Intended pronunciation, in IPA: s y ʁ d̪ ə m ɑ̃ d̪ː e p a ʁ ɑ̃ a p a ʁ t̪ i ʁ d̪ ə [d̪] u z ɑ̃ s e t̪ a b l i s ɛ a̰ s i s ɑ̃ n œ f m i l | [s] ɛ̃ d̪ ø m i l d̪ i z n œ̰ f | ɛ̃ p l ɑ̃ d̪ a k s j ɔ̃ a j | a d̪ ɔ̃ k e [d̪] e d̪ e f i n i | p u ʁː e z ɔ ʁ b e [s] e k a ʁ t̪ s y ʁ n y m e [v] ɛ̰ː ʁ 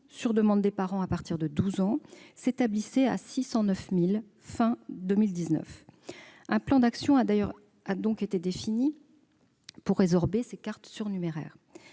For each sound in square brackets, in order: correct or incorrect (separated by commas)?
correct, incorrect, incorrect, correct, incorrect